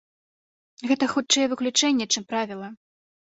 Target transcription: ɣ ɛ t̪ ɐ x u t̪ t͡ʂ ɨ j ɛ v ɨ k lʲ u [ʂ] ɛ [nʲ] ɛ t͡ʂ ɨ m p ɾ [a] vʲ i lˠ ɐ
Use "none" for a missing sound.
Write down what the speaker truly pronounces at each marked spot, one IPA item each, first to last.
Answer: t͡ʂ, nʲː, a

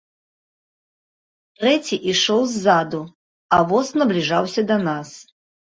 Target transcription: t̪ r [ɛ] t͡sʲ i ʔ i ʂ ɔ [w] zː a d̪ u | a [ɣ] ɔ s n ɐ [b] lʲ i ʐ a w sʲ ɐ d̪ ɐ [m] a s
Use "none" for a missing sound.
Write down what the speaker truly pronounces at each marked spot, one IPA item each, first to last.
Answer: ɛ, w, v, b, n

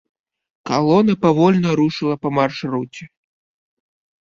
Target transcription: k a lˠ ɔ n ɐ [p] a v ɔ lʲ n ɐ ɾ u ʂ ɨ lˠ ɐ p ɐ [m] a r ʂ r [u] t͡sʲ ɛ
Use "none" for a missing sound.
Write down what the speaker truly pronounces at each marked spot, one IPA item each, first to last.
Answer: p, m, u

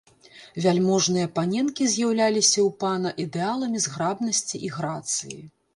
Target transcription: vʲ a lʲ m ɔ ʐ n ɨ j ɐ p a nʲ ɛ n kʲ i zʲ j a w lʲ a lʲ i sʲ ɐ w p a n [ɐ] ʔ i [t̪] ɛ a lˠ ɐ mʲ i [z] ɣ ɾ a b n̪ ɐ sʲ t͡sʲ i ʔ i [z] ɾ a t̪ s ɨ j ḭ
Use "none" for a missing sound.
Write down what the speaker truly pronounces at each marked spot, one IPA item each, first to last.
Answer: ɐ, d̪, z, ɣ

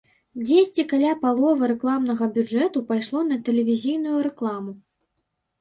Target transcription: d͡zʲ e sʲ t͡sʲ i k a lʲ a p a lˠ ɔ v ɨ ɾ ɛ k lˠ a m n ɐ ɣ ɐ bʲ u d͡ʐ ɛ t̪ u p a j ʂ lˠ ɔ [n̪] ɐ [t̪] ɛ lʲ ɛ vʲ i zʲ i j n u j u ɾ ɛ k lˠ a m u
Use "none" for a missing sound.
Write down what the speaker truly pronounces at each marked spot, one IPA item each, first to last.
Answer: n̪, t̪

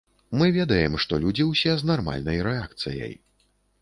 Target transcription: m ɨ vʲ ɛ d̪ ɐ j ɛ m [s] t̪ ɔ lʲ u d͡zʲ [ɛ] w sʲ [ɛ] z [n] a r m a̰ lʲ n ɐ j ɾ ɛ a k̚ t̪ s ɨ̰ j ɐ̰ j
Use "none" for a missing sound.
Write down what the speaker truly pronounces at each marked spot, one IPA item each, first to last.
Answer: ʂ, i, ɛ, n

